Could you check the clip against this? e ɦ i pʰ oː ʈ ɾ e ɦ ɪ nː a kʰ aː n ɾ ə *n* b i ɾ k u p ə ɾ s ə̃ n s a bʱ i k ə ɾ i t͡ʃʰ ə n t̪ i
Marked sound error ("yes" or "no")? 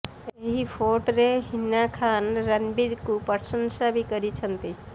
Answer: no